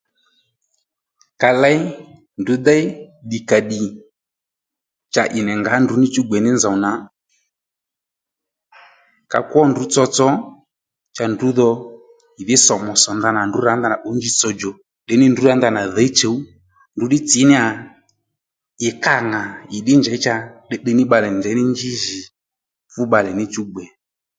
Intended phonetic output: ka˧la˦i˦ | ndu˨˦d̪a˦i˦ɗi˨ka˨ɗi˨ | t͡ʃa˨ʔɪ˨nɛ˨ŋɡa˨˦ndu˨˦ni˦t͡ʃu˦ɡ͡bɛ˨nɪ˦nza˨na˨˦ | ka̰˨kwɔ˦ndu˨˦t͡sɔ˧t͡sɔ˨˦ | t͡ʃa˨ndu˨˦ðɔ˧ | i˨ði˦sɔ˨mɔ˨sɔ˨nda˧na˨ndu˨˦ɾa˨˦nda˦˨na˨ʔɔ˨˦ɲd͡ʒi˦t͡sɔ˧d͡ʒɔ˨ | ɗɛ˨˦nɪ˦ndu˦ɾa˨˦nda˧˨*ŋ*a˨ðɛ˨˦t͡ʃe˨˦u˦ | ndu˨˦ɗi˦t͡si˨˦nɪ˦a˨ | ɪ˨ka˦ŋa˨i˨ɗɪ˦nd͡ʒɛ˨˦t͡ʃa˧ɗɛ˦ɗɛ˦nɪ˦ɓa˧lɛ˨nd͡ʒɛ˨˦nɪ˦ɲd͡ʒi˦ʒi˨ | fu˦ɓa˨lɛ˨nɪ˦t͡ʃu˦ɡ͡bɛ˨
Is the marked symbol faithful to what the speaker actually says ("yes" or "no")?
no